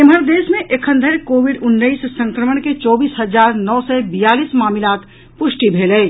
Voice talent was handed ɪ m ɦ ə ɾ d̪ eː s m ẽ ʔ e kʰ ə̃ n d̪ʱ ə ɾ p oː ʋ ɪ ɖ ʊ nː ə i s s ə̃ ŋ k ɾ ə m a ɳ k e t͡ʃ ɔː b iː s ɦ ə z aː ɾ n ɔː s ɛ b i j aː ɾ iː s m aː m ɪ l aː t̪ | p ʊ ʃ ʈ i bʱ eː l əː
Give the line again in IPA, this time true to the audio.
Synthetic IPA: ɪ m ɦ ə ɾ d̪ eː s m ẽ ʔ e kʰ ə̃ n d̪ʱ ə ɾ k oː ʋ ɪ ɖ ʊ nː ə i s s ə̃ ŋ k ɾ ə m ə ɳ k e t͡ʃ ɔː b iː s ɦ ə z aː ɾ n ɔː s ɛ b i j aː l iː s m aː m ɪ l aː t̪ | p ʊ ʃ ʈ i bʱ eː l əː